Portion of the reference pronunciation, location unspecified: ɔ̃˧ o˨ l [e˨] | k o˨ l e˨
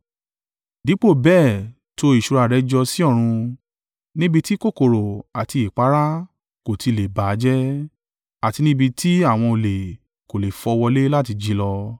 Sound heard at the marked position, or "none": e˨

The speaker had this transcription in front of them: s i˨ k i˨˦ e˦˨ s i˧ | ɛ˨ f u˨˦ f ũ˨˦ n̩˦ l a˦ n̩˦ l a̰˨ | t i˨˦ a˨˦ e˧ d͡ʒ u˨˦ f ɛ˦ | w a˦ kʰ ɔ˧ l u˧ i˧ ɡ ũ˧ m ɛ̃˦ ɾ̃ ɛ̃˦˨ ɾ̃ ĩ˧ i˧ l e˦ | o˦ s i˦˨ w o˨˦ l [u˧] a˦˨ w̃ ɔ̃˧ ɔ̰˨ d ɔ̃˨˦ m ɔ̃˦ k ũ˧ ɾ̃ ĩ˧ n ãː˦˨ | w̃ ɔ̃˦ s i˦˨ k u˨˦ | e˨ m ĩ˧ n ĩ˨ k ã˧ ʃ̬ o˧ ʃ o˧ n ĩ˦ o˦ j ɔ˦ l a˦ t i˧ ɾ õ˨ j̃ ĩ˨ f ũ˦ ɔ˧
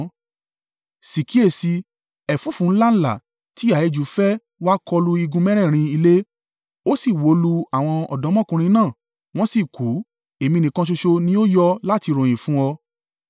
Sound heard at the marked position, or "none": u˧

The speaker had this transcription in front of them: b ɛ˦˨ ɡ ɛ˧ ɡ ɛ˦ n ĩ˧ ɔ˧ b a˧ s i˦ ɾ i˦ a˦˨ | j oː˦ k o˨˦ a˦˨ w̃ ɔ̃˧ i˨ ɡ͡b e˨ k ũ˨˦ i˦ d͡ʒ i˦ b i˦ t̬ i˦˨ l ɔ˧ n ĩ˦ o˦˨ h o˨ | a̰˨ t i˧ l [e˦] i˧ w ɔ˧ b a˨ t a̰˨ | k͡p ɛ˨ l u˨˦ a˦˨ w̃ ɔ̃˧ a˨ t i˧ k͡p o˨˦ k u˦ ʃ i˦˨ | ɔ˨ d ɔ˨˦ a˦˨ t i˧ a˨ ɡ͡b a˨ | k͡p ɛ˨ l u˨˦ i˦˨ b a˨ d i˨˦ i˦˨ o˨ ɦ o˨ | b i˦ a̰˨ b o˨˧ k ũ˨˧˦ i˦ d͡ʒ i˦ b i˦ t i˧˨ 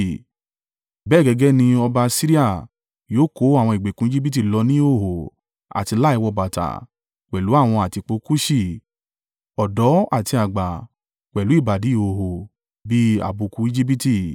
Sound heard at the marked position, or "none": a˦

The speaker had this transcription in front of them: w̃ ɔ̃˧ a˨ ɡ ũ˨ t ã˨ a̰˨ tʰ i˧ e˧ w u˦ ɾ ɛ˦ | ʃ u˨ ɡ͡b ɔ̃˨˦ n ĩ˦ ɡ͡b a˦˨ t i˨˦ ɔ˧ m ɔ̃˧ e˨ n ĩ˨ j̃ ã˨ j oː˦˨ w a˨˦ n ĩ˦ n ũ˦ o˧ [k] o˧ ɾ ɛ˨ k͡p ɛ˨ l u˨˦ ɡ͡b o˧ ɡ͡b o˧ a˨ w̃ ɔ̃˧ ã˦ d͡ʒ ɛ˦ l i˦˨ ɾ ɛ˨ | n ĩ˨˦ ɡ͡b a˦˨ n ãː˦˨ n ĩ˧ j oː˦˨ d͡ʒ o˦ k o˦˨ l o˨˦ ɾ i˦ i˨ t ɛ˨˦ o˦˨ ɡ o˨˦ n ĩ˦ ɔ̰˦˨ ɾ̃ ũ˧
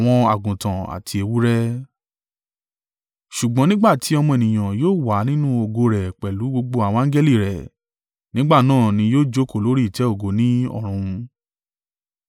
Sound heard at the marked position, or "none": ɡ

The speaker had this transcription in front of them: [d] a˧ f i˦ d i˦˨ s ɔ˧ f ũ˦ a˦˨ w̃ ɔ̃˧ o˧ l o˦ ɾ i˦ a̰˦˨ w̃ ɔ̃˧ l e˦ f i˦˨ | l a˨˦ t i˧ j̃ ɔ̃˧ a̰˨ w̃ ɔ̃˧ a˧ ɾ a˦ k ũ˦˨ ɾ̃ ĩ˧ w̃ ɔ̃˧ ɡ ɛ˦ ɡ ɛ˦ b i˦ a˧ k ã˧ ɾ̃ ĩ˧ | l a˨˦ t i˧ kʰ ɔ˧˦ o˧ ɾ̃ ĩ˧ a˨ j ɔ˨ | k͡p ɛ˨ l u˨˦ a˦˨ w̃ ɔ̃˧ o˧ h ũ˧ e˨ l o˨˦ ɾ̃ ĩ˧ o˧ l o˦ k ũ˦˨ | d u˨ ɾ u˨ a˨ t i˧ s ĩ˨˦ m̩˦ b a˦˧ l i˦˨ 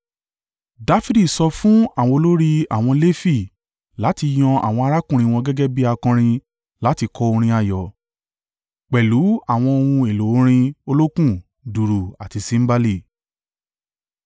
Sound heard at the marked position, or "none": d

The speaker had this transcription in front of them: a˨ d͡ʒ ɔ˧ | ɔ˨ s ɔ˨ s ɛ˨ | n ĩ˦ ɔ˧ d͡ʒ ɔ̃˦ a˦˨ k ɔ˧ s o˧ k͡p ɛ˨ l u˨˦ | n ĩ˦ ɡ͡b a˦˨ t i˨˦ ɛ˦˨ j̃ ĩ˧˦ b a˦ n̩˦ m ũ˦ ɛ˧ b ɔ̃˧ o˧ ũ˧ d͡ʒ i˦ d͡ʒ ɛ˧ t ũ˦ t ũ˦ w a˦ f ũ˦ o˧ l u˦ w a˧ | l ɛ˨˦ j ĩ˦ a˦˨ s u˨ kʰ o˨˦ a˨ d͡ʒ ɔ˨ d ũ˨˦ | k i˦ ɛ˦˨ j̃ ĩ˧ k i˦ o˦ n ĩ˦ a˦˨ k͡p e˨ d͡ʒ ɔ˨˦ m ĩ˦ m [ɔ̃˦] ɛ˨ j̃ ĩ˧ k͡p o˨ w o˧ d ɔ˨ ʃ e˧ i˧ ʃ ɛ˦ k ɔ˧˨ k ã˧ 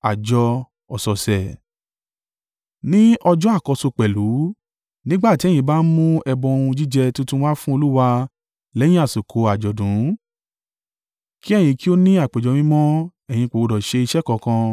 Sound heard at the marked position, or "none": ɔ̃˦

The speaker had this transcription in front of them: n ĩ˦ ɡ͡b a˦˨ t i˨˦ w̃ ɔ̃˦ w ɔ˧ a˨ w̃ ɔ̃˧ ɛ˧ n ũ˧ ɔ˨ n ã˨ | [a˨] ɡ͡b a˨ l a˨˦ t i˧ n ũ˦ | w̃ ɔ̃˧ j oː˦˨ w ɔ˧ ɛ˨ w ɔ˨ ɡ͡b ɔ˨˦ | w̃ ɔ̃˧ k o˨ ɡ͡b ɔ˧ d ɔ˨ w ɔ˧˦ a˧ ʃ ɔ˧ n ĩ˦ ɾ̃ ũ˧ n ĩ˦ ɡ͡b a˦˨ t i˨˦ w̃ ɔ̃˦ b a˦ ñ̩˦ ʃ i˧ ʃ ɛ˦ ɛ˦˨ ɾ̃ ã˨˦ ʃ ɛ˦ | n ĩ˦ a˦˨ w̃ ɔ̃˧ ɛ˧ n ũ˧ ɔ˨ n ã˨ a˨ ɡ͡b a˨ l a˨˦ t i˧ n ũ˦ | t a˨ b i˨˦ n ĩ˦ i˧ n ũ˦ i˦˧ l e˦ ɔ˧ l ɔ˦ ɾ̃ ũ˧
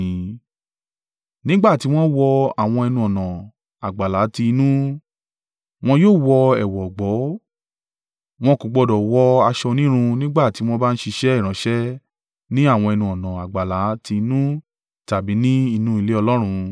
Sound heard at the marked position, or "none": a˨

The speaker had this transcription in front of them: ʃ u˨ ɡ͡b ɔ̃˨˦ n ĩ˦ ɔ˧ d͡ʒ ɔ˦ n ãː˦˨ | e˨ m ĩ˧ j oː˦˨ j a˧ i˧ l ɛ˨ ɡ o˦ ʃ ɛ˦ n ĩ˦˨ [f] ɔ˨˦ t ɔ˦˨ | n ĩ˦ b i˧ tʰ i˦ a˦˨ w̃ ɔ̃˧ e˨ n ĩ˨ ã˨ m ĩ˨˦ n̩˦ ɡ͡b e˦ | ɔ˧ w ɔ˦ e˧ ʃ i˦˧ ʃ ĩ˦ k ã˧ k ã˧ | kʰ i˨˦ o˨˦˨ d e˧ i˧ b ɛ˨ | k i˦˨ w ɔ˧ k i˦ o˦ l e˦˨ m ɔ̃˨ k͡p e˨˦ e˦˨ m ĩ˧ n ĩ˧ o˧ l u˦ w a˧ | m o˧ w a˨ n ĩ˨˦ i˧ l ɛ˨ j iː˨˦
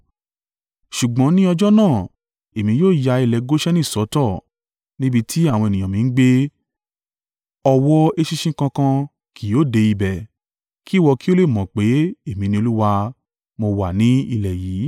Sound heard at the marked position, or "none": s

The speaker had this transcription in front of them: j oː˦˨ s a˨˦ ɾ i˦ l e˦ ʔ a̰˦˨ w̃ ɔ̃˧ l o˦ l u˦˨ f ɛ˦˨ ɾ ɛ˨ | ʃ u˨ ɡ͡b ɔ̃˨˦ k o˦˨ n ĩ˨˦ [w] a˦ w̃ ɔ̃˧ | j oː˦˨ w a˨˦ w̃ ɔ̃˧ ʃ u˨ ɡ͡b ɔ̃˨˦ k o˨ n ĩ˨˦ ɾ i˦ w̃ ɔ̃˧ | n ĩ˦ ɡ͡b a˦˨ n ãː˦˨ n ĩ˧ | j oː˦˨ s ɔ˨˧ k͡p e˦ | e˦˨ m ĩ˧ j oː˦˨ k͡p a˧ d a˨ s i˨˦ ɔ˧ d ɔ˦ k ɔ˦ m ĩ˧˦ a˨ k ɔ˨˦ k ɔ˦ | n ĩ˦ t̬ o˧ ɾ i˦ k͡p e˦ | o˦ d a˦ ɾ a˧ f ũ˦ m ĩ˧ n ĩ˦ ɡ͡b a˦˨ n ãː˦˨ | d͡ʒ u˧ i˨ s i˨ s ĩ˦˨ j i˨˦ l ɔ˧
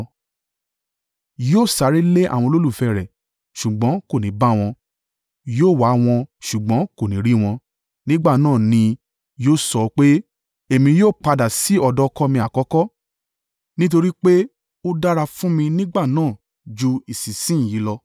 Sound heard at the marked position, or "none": b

